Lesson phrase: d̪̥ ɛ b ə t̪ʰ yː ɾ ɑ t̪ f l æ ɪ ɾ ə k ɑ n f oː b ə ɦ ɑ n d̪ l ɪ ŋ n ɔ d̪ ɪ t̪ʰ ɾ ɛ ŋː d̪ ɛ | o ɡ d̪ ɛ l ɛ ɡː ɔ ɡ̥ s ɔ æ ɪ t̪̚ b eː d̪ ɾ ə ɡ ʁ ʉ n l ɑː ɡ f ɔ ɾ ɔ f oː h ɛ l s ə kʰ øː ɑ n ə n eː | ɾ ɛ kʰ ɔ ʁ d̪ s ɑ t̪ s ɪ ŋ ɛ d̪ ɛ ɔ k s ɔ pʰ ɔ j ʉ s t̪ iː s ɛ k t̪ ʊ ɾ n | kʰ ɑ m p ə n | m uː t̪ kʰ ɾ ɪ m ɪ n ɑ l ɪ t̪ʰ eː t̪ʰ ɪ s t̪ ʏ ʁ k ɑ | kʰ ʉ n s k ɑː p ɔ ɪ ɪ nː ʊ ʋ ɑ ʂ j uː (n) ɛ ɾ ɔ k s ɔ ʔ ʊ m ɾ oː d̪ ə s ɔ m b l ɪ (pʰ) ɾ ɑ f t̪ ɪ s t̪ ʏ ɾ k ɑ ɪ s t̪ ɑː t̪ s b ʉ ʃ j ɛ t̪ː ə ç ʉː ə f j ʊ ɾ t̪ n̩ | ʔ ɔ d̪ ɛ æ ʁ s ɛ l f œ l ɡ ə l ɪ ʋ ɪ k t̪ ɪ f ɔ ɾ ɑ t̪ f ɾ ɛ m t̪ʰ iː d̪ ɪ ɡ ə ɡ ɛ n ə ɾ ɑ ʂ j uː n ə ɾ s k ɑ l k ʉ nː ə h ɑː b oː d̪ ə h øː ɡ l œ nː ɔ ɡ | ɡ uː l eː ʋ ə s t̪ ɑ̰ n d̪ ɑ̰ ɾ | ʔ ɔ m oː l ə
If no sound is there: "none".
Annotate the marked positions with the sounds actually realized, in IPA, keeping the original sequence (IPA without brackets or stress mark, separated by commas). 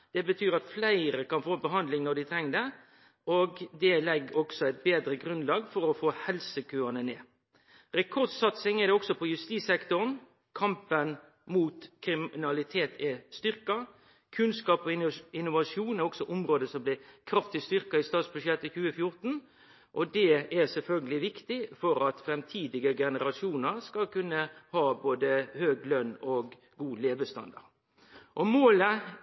n, kʰ